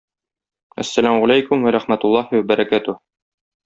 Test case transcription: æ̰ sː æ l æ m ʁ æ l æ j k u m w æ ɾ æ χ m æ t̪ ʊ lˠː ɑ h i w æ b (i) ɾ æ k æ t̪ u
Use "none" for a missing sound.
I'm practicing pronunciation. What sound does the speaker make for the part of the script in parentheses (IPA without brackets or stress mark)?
æ